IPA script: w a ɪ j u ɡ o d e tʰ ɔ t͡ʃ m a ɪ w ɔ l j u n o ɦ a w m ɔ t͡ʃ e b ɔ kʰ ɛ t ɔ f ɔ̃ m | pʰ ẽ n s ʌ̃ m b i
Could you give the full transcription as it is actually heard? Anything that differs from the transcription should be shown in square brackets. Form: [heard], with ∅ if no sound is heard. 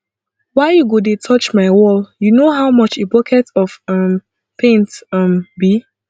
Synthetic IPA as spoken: w a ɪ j u ɡ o d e tʰ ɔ t͡ʃ m a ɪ w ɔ l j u n o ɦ a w m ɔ t͡ʃ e b ɔ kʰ ɛ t ɔ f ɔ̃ m | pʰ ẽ n [t] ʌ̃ m b i